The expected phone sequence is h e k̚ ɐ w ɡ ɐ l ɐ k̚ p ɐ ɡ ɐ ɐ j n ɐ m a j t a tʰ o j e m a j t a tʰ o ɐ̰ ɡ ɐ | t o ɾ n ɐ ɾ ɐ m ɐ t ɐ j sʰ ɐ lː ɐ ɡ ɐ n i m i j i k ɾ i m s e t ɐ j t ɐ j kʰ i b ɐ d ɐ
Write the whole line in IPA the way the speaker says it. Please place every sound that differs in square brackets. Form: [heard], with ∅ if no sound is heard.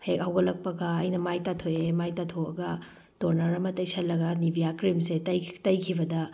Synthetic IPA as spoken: h e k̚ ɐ w ɡ ɐ l ɐ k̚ p ɐ ɡ ɐ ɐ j n ɐ m a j t a tʰ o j e m a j t a tʰ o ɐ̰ ɡ ɐ | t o ɾ n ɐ ɾ ɐ m ɐ t ɐ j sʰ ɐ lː ɐ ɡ ɐ n i [b] i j [a] k ɾ i m s e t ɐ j t ɐ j kʰ i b ɐ d ɐ